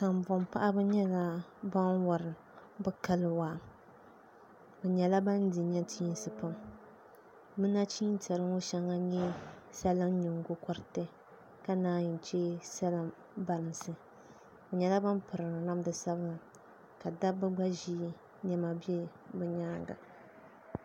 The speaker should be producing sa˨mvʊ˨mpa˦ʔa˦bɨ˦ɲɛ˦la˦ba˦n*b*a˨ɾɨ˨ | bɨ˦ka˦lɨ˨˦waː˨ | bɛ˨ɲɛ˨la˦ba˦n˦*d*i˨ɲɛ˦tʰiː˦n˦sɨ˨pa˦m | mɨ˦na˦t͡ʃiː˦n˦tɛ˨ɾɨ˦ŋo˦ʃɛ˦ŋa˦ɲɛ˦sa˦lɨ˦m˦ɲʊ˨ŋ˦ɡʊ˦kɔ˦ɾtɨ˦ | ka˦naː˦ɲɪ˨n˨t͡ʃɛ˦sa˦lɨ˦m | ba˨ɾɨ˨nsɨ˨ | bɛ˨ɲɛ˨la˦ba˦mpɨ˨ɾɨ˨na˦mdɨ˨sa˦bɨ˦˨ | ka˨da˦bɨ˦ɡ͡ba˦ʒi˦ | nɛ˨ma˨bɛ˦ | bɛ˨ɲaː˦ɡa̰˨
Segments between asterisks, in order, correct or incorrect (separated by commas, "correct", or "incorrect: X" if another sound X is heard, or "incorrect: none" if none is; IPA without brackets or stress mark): incorrect: w, correct